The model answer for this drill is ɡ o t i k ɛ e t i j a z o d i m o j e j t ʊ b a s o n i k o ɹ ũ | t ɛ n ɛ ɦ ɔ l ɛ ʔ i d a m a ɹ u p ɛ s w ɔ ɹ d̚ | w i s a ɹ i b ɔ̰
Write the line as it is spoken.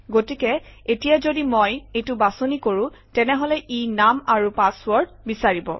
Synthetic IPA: ɡ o t i k ɛ e t i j a z o d i m o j e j t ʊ b a s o n i k o ɹ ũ | t ɛ n ɛ ɦ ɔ l ɛ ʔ i n a m a ɹ u p a s w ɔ ɹ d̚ | b i s a ɹ i b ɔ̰